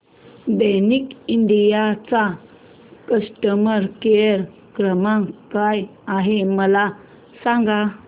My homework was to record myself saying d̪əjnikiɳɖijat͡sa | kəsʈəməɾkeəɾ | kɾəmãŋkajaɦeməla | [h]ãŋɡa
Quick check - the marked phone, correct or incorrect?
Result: incorrect